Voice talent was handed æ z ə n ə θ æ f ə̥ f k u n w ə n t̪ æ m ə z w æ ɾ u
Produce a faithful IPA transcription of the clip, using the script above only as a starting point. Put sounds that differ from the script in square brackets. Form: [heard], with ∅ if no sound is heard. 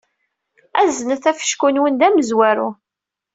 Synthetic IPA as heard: æ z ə n ə θ æ f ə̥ [ʃ] k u n w ə n [d̪] æ m ə z w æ ɾ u